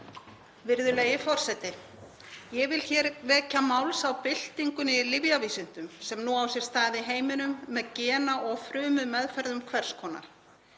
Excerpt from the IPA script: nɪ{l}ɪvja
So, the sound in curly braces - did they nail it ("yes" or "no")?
yes